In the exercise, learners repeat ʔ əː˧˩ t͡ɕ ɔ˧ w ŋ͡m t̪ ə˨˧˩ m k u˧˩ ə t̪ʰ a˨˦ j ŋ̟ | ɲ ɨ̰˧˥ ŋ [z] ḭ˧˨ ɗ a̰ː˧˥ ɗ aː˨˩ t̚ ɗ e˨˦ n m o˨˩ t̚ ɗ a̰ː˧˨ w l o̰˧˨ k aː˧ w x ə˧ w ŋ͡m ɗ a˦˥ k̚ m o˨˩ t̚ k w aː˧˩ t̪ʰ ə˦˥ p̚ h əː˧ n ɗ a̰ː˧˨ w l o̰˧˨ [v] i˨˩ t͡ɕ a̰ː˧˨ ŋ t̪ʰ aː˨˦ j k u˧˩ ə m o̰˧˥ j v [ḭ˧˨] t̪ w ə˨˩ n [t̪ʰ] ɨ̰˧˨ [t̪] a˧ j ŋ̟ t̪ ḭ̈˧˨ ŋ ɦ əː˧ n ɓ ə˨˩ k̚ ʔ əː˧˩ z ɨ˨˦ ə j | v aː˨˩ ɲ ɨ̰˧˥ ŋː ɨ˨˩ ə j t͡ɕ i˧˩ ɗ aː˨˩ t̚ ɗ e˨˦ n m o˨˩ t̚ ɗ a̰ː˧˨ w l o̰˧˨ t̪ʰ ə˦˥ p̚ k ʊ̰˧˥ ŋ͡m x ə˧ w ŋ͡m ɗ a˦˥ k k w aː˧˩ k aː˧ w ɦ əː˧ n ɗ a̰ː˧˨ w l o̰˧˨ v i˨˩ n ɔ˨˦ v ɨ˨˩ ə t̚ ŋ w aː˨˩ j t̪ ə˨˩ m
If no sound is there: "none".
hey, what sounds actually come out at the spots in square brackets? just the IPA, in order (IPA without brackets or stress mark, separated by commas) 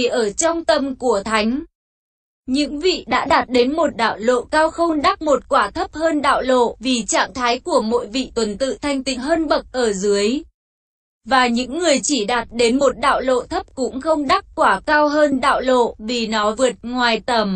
v, v, ḭ˧˨, t̪, t̪ʰ